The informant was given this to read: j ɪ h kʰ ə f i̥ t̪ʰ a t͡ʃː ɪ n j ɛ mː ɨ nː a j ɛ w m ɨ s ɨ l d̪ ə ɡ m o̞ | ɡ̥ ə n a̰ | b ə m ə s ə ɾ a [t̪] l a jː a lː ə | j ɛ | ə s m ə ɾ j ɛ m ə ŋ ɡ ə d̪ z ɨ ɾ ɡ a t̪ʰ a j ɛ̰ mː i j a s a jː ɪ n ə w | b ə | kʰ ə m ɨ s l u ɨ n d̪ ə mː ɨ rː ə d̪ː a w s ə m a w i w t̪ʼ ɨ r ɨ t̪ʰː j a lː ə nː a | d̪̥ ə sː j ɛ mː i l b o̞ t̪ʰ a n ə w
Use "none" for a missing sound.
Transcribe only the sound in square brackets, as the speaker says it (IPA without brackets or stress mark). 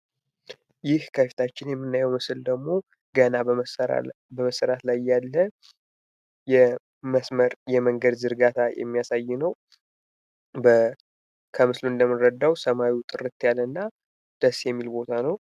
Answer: t̪